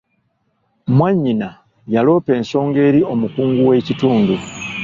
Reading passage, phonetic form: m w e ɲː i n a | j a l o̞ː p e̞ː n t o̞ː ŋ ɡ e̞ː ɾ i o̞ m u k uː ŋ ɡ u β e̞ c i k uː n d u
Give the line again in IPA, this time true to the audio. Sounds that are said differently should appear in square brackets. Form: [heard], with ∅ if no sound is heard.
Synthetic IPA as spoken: m w [a] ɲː i n a | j a l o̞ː p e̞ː n [s] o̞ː ŋ ɡ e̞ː ɾ i o̞ m u k uː ŋ ɡ u [w] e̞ c i [t] uː n d u